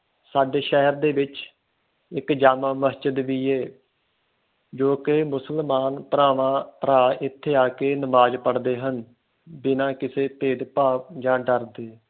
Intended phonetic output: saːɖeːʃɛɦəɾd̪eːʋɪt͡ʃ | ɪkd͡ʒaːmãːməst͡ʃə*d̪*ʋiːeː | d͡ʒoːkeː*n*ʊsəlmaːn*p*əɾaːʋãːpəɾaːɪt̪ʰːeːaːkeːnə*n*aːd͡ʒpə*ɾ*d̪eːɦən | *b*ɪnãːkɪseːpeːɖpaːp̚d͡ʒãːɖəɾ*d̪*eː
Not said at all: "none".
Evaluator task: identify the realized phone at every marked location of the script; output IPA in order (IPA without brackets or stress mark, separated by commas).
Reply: d̪, m, p, m, ɽ, b, d̪